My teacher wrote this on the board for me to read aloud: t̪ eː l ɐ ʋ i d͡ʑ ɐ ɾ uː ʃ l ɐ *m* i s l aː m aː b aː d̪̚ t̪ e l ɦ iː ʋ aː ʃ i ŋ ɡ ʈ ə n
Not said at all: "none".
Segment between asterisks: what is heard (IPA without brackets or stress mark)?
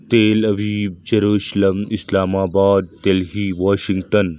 m